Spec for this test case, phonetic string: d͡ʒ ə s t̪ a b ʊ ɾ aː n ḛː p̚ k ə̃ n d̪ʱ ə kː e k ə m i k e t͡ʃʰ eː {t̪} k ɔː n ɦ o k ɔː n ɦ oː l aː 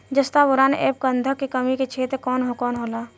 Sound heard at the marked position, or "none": t̪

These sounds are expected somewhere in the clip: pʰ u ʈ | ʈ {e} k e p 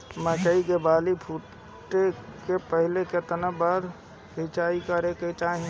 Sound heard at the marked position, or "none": e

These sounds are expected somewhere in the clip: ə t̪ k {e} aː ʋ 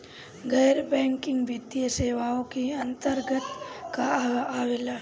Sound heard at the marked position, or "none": a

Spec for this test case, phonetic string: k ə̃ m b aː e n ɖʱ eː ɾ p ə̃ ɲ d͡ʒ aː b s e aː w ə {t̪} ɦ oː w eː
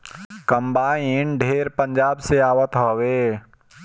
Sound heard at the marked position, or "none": t̪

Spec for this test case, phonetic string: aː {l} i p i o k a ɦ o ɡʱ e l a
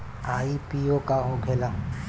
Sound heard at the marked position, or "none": none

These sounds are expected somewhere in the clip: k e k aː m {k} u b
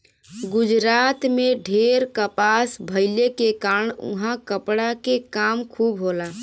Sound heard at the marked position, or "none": kʰ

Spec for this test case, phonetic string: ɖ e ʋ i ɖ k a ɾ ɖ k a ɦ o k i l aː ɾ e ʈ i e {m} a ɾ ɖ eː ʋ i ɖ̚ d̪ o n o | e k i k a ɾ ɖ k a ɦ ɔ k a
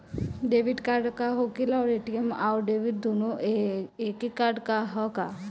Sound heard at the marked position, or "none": m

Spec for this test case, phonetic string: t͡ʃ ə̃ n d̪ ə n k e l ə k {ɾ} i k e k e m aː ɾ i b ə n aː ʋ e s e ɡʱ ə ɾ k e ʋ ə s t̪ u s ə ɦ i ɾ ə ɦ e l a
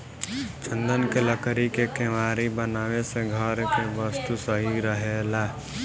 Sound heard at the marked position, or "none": ɾ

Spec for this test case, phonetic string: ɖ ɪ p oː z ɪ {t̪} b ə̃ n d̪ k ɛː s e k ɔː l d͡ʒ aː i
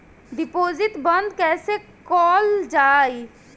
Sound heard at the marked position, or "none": t̪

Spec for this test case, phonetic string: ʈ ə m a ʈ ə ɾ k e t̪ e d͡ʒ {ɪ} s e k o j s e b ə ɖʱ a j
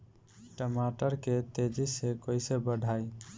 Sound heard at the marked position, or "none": i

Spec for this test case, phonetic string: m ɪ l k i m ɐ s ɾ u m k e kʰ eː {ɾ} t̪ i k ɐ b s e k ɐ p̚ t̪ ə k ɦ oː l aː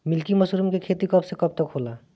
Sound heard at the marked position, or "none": none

